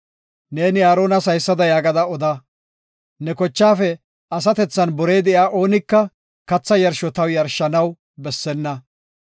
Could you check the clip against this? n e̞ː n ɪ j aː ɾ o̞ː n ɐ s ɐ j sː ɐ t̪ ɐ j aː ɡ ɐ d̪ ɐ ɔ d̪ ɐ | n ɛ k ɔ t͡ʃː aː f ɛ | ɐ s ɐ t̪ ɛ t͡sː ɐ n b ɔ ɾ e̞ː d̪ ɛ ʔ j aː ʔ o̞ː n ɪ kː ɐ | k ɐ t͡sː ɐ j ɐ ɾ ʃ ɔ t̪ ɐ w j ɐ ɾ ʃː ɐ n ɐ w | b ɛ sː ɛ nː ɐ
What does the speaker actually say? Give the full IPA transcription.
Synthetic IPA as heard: n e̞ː n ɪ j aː ɾ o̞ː n ɐ s ɐ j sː ɐ d̪ ɐ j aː ɡ ɐ d̪ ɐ ɔ d̪ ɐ | n ɛ k ɔ t͡ʃː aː f ɛ | ɐ s ɐ t̪ ɛ t͡sː ɐ n b ɔ ɾ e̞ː d̪ ɛ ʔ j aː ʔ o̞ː n ɪ kː ɐ | k ɐ t͡sː ɐ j ɐ ɾ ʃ ɔ t̪ ɐ w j ɐ ɾ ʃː ɐ n ɐ w | b ɛ sː ɛ nː ɐ